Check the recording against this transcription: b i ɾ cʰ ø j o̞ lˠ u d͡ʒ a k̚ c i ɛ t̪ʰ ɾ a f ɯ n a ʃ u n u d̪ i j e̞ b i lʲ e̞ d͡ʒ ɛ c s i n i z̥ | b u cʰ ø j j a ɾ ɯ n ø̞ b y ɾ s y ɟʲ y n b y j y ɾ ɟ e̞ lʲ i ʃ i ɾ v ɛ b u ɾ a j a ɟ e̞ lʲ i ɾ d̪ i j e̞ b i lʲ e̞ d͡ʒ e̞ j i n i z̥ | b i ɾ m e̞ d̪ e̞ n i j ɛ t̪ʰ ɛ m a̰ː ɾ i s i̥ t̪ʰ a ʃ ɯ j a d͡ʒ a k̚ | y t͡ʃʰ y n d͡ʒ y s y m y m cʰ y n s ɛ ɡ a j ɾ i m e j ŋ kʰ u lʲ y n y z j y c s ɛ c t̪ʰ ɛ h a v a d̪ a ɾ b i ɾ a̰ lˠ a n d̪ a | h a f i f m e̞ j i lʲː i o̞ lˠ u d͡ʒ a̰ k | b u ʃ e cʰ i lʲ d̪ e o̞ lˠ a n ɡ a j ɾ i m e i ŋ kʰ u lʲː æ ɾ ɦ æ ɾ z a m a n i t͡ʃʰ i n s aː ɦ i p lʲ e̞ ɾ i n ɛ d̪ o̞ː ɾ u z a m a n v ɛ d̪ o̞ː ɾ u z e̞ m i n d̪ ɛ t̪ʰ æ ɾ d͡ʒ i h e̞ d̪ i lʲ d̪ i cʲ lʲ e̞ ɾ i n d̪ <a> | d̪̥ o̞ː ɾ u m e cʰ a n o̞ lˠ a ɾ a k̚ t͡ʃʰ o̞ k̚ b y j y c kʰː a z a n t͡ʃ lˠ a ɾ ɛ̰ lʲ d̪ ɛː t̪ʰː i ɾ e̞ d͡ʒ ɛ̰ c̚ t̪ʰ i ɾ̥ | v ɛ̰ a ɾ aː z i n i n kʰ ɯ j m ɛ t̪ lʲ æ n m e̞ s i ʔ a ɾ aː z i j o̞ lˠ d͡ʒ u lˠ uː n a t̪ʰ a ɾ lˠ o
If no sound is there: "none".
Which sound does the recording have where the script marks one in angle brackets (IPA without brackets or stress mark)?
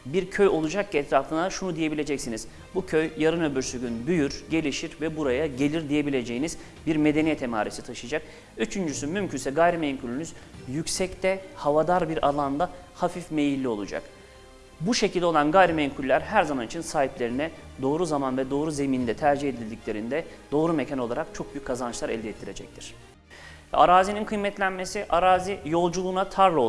ɛ